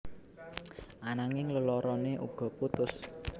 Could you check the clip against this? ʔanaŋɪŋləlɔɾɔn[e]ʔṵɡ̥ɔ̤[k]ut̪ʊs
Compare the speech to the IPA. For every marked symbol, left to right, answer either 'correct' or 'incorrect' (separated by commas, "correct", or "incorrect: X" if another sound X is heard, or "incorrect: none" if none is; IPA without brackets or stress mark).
correct, incorrect: p